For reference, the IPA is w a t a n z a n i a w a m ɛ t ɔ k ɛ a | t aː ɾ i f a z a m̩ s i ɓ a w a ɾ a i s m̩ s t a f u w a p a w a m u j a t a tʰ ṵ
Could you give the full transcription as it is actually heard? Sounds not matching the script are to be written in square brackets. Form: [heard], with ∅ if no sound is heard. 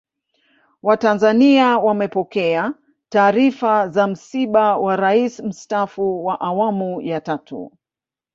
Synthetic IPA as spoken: w a t a n z a n i a w a m ɛ [p] ɔ k ɛ a | t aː ɾ i f a z a m̩ s i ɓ a w a ɾ a i s m̩ s t a f u w a [ʔ] a w a m u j a t a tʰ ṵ